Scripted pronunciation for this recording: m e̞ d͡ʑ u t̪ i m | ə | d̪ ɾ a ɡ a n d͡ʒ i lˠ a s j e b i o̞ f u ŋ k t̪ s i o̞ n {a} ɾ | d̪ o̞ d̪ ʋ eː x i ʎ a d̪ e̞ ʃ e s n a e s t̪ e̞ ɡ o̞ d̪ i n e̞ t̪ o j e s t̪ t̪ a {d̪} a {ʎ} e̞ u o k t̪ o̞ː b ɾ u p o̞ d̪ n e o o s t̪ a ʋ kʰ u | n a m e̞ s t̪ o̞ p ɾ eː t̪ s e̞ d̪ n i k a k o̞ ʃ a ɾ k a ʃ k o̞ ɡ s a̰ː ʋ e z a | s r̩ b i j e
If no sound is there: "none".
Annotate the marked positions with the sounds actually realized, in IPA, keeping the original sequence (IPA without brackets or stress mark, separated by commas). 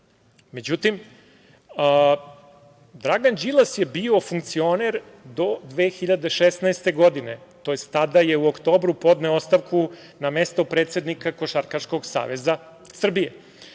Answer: e, d̪, j